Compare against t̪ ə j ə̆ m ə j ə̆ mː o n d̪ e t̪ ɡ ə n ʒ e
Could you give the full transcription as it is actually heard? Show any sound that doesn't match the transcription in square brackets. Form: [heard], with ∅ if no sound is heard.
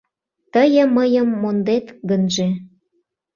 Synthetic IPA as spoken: t̪ ə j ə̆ m ə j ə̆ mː o n d̪ e t̪ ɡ ə n ʒ e